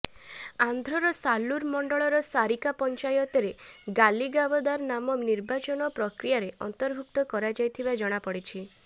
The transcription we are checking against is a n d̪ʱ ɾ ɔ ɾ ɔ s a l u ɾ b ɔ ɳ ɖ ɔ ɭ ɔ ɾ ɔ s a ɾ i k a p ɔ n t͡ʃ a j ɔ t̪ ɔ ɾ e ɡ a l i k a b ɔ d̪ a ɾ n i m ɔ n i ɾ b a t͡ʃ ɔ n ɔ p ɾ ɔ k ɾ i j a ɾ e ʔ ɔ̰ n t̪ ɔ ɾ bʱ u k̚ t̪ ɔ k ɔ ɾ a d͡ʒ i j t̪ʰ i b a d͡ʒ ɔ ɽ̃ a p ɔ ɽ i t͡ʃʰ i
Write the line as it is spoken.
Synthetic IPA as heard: a n d̪ʱ ɾ ɔ ɾ ɔ s a l u ɾ m ɔ ɳ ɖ ɔ ɭ ɔ ɾ ɔ s a ɾ i k a p ɔ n t͡ʃ a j ɔ t̪ ɔ ɾ e ɡ a l i ɡ a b ɔ d̪ a ɾ n a m ɔ n i ɾ b a t͡ʃ ɔ n ɔ p ɾ ɔ k ɾ i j a ɾ e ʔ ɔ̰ n t̪ ɔ ɾ bʱ u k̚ t̪ ɔ k ɔ ɾ a d͡ʒ a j t̪ʰ i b a d͡ʒ ɔ ɽ̃ a p ɔ ɽ i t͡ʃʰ i